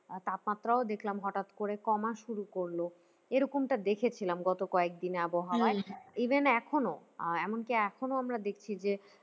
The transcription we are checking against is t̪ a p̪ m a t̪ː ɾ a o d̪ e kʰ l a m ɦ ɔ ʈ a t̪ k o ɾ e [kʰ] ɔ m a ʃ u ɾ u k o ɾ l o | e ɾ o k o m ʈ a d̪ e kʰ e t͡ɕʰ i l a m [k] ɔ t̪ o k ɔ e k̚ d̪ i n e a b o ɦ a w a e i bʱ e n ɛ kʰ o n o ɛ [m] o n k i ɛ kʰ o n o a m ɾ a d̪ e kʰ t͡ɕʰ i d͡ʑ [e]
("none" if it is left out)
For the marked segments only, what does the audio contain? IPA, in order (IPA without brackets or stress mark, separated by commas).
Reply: k, ɡ, m, e